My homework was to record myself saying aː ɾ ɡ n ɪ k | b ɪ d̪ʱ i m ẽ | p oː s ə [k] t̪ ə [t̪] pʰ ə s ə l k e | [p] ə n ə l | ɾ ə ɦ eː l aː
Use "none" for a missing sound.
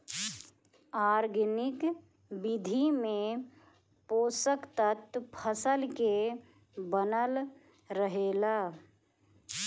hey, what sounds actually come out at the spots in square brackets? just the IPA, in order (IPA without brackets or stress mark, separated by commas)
k, t̪, b